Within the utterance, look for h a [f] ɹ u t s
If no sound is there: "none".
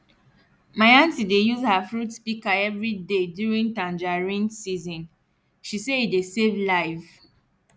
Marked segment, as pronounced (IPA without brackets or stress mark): f